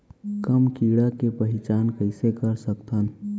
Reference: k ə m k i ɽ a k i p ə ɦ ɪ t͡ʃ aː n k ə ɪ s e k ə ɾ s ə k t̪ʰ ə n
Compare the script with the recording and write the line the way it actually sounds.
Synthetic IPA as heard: k ə m k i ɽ a k e p ə ɦ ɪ t͡ʃ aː n k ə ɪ s e k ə ɾ s ə k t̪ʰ ə n